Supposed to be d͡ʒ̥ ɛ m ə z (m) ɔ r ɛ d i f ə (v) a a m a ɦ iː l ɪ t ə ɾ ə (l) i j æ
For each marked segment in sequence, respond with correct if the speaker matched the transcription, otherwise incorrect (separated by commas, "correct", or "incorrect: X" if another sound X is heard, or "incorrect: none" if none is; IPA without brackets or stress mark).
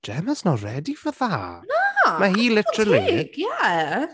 incorrect: n, incorrect: ð, correct